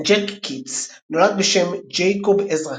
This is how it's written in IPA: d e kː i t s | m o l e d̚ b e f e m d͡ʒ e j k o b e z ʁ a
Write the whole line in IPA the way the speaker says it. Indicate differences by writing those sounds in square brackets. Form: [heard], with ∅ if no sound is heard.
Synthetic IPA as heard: [d͡ʒ] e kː i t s | [n] o l [a] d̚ b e [ʃ] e m d͡ʒ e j k o b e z ʁ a